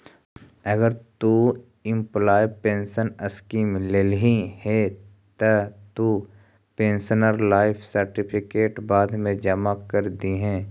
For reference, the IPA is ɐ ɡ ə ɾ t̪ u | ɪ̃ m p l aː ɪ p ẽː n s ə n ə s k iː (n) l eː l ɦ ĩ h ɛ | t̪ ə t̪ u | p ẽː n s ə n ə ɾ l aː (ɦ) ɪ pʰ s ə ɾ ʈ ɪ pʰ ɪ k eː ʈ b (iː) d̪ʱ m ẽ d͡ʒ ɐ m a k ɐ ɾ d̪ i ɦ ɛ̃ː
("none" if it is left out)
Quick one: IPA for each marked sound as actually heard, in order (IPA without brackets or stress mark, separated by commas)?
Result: m, none, aː